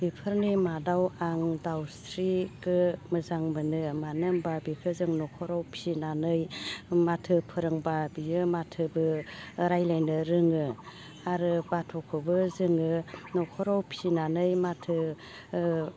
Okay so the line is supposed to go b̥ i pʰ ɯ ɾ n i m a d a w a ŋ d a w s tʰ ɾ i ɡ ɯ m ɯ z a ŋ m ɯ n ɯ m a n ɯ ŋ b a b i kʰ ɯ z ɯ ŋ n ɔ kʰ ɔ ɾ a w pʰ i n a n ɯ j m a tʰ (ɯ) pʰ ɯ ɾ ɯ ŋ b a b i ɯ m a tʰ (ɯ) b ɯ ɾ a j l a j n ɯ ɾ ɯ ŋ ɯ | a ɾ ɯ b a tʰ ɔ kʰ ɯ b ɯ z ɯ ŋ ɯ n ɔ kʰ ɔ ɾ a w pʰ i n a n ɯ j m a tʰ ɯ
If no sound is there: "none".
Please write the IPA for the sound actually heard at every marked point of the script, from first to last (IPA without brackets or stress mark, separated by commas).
ɯ, ɯ